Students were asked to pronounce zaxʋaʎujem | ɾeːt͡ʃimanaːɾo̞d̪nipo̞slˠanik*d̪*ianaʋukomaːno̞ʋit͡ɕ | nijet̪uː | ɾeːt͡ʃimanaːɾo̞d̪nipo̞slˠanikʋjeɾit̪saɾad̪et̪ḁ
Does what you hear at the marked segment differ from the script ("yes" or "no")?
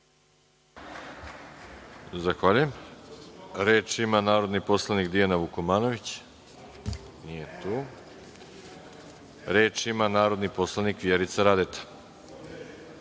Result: no